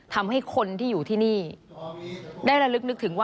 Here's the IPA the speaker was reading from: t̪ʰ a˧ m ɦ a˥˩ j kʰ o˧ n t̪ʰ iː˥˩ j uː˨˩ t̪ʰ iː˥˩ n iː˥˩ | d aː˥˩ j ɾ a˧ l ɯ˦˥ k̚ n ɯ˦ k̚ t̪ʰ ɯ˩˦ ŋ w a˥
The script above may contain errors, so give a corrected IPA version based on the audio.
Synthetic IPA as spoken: t̪ʰ a˧ m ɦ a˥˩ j kʰ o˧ n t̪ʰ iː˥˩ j uː˨˩ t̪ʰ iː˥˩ n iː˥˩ | d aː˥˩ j ɾ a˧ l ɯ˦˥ k̚ n ɯ˦ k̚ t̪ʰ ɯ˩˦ ŋ w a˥